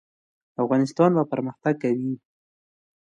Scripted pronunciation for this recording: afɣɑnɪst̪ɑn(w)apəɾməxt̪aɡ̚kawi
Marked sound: incorrect: b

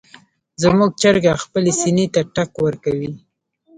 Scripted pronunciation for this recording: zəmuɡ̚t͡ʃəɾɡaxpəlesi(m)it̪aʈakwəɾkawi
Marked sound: incorrect: n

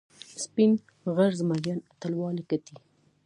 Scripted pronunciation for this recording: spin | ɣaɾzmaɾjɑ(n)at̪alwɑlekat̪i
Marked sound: correct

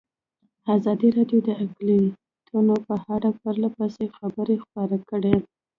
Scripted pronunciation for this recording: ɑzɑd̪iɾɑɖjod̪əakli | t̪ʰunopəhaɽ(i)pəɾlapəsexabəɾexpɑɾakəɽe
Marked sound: incorrect: a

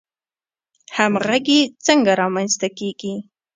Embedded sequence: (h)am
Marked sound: correct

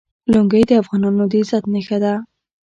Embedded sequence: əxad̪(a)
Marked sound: correct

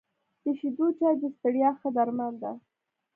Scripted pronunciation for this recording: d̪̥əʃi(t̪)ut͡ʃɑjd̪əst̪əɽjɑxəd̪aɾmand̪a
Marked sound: incorrect: d̪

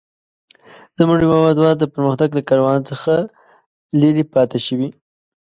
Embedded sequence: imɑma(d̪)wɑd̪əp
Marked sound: correct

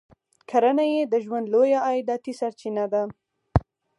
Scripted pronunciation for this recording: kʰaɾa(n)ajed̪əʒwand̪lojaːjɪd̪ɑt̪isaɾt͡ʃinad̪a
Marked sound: correct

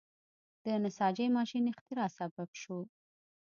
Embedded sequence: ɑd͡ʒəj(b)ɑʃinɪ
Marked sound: incorrect: m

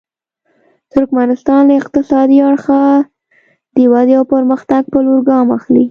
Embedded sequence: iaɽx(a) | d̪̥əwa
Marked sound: correct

